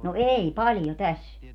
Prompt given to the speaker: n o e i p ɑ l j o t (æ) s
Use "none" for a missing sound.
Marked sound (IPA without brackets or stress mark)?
æ